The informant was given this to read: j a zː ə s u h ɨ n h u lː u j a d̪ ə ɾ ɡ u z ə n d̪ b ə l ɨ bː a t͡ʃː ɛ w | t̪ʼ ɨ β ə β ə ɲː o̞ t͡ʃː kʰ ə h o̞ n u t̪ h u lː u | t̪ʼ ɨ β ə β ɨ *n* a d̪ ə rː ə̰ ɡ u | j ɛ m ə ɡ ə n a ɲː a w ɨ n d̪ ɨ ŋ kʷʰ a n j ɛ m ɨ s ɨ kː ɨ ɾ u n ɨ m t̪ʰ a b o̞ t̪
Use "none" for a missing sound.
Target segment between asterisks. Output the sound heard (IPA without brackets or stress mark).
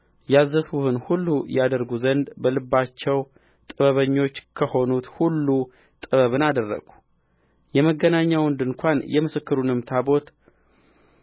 n